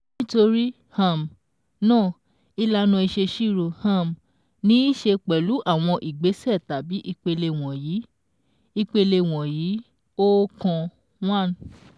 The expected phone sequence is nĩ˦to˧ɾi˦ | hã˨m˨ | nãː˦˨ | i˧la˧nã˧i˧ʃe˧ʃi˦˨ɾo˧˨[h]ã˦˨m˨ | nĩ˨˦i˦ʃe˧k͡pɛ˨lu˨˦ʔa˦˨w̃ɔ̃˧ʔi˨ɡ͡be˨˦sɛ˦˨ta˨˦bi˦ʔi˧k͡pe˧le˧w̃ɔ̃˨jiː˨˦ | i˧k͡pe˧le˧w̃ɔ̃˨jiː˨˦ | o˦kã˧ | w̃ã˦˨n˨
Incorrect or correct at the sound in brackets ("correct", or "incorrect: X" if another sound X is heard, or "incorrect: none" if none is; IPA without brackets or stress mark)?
correct